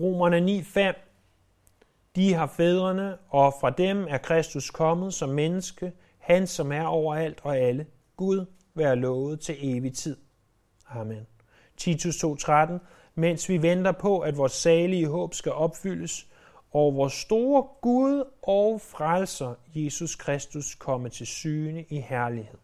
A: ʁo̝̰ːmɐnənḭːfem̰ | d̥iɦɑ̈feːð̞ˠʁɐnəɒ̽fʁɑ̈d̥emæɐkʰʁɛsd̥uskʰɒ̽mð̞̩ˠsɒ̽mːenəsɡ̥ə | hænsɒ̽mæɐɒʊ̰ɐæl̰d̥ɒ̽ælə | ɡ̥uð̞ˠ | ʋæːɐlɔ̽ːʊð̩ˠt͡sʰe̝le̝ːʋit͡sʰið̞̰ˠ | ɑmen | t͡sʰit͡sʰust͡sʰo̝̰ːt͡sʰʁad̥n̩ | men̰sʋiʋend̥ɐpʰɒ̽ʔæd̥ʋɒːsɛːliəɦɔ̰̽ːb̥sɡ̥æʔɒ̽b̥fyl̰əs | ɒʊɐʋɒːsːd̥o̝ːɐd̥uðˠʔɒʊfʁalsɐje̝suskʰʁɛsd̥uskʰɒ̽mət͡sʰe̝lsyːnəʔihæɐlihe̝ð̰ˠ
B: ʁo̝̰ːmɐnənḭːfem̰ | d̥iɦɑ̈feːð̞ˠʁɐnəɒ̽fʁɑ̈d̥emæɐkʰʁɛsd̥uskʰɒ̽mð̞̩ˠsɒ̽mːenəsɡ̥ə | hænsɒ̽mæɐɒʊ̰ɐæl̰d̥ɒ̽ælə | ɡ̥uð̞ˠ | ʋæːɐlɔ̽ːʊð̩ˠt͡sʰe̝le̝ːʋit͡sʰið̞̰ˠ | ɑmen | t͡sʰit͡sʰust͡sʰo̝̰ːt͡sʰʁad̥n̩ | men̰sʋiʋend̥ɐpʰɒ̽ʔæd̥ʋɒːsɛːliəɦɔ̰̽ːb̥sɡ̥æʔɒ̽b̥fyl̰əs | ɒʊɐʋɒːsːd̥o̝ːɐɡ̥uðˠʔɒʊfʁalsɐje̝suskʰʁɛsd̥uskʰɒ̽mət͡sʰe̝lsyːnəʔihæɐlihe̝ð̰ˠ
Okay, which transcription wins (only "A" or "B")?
B